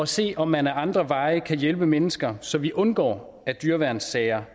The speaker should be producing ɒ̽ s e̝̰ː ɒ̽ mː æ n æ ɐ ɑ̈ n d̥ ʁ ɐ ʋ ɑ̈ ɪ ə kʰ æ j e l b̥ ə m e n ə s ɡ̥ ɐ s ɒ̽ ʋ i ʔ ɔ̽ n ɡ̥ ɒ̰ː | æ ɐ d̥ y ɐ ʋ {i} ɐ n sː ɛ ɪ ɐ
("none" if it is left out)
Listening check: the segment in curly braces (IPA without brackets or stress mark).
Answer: æ